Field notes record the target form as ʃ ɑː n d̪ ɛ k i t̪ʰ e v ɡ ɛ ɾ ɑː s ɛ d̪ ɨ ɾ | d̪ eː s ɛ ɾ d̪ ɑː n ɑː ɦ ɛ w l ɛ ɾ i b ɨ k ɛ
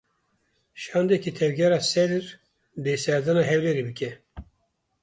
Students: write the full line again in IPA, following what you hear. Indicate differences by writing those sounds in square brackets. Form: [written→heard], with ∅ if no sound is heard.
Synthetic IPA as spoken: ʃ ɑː n d̪ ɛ k i t̪ʰ [e→ɛ] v ɡ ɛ ɾ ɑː s ɛ d̪ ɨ ɾ | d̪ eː s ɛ ɾ d̪ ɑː n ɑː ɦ ɛ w l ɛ ɾ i b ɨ k ɛ